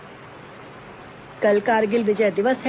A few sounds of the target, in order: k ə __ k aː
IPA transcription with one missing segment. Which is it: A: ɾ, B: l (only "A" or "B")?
B